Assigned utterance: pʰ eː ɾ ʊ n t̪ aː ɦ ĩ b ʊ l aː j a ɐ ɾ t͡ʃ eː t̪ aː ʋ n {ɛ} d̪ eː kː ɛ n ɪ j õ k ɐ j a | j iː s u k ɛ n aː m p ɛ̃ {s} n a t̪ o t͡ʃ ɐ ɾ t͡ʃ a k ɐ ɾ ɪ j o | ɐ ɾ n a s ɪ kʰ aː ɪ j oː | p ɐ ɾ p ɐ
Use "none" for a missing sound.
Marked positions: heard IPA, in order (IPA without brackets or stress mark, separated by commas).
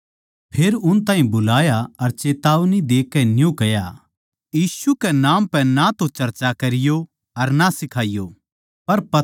i, none